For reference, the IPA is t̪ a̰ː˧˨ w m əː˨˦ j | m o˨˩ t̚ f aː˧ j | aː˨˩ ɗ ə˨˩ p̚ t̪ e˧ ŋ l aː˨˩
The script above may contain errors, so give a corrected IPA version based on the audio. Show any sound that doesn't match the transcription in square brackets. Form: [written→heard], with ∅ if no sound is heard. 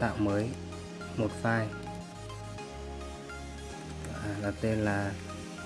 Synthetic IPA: t̪ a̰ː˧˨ w m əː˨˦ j | m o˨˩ t̚ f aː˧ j | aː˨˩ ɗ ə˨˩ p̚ t̪ e˧ [ŋ→n] l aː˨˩